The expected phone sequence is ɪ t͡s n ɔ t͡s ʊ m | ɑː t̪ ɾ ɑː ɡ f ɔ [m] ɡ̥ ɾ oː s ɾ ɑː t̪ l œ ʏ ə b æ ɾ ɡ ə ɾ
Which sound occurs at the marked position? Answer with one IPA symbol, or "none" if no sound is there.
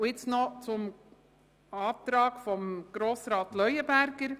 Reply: m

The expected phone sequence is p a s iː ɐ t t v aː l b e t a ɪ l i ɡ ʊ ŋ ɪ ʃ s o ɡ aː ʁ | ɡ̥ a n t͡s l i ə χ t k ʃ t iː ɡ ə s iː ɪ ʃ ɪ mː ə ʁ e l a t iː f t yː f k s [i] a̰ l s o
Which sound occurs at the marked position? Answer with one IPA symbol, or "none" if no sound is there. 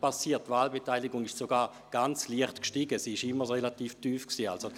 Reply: iː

